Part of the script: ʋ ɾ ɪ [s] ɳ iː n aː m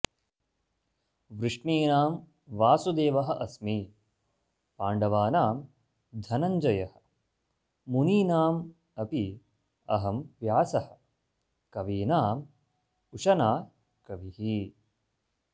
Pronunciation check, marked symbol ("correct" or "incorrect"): incorrect